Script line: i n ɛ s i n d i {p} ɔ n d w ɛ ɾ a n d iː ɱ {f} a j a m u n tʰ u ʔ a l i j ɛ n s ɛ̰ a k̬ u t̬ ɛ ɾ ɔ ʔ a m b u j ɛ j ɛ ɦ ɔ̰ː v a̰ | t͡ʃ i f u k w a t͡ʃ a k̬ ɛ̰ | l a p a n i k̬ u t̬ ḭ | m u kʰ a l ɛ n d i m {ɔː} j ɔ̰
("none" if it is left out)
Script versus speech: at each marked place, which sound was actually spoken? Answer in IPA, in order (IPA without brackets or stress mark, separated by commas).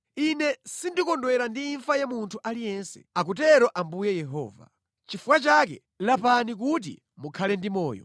k, f, ɔː